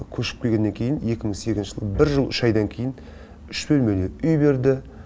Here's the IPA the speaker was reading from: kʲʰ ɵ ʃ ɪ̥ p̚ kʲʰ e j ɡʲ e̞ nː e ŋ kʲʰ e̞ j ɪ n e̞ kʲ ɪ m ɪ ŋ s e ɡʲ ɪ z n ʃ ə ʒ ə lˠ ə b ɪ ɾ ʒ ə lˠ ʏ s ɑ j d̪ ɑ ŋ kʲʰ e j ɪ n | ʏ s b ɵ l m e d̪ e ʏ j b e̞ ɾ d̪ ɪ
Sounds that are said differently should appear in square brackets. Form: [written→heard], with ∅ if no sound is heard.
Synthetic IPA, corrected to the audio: kʲʰ ɵ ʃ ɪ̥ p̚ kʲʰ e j ɡʲ e̞ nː e ŋ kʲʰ e̞ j ɪ n e̞ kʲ ɪ m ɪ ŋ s e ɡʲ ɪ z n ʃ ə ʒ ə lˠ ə b ɪ ɾ ʒ ə lˠ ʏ [s→ʃ] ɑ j d̪ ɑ ŋ kʲʰ e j ɪ n | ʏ [s→ʃ] b ɵ l m e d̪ e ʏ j b e̞ ɾ d̪ ɪ

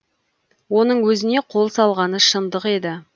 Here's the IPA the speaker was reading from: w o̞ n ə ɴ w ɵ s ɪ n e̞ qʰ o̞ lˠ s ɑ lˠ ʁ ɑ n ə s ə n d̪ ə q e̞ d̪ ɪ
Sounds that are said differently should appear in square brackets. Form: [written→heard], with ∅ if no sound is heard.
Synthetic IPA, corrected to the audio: w o̞ n ə ɴ w ɵ [s→z] ɪ n e̞ qʰ o̞ lˠ s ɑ lˠ ʁ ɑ n ə [s→ʃ] ə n d̪ ə q e̞ d̪ ɪ

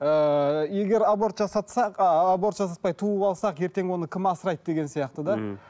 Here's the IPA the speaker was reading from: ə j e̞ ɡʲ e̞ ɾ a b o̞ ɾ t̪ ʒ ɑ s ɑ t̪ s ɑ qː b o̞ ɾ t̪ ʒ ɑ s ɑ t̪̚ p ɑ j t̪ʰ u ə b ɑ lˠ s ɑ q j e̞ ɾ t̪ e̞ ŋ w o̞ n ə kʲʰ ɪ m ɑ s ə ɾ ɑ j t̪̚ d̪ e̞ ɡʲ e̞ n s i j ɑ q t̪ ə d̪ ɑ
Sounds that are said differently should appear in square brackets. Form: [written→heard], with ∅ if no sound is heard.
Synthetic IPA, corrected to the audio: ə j e̞ ɡʲ e̞ ɾ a b o̞ ɾ t̪ ʒ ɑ s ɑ t̪ s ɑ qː b o̞ ɾ t̪ ʒ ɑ s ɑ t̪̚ p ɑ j t̪ʰ u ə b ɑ lˠ s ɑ q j e̞ ɾ t̪ e̞ ŋ w o̞ n ə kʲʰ ɪ m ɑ s ə ɾ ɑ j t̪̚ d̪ e̞ ɡʲ e̞ n s i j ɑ q t̪ ə d̪ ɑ

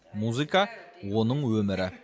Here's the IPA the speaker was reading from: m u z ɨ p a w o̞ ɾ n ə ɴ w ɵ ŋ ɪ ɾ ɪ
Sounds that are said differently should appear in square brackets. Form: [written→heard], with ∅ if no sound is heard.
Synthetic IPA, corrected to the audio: m u z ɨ [p→k] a w o̞ [ɾ→∅] n ə ɴ w ɵ [ŋ→m] ɪ ɾ ɪ

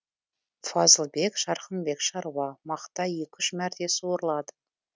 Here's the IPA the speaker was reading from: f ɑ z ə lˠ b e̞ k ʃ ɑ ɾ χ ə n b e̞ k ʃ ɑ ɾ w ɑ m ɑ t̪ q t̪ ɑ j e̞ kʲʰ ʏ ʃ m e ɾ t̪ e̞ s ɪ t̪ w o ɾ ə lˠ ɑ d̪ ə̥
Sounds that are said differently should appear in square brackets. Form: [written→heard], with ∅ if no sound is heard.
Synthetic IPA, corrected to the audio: f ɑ z ə lˠ b e̞ k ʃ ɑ ɾ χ ə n b e̞ k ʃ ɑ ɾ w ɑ m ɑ [t̪→∅] q t̪ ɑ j e̞ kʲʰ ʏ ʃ m [e→æ] ɾ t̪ e̞ s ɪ [t̪→∅] w o ɾ ə lˠ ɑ d̪ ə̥

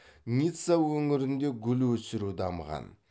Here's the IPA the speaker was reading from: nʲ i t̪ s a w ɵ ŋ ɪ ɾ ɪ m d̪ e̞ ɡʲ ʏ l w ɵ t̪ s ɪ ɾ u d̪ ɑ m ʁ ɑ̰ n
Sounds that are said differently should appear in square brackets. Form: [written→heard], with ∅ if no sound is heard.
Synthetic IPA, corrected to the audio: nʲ i t̪ s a w ɵ ŋ ɪ ɾ ɪ [m→n] d̪ e̞ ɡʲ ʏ l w ɵ [t̪→∅] s ɪ ɾ u d̪ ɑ m ʁ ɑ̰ n

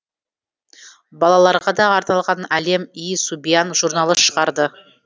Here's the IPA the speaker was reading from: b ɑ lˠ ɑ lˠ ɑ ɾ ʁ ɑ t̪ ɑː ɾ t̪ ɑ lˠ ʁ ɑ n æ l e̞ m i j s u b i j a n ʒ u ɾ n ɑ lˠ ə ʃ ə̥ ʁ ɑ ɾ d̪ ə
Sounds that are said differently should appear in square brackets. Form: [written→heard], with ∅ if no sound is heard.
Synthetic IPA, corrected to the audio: b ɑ lˠ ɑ lˠ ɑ ɾ ʁ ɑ [t̪→d̪] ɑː ɾ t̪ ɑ lˠ ʁ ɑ n æ l e̞ m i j s u b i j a n ʒ u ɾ n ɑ lˠ ə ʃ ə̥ ʁ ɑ ɾ d̪ ə

